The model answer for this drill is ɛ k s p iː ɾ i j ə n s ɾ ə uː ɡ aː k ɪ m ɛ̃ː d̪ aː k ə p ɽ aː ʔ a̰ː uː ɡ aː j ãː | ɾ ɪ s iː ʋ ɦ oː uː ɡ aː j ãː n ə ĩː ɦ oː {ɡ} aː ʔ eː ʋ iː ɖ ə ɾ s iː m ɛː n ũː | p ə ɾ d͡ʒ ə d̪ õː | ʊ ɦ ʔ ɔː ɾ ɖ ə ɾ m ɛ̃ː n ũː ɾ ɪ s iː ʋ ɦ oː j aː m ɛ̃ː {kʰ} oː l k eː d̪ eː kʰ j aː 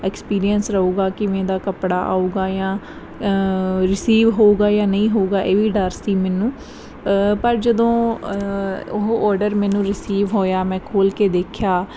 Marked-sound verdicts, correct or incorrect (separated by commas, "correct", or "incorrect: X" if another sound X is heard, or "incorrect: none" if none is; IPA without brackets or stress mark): correct, correct